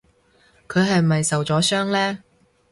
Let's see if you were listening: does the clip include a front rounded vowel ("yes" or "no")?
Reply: yes